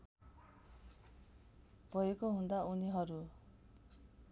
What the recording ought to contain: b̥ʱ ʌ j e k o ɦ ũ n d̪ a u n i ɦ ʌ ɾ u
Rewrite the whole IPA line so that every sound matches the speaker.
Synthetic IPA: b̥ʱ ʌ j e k o ɦ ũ n d̪ a u n i ɦ ʌ ɾ u